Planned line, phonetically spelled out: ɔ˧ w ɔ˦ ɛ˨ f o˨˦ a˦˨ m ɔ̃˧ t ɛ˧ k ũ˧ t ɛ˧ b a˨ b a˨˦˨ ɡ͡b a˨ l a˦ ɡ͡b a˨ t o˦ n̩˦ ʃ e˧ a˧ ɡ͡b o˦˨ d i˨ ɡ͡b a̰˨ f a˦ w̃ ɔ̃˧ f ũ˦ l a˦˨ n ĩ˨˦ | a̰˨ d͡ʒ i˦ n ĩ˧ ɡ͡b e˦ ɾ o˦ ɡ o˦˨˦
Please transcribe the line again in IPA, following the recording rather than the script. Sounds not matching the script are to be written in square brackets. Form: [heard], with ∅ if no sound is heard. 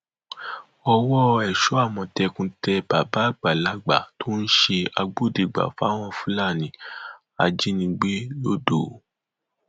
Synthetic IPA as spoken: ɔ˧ w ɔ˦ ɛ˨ [ʃ] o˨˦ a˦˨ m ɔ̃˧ t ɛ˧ k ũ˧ t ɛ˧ b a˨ b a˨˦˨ ɡ͡b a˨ l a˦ ɡ͡b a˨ t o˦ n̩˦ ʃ e˧ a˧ ɡ͡b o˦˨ d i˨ ɡ͡b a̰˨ f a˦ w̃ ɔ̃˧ f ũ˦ l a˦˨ n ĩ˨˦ | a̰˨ d͡ʒ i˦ n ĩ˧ ɡ͡b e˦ [l] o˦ [d] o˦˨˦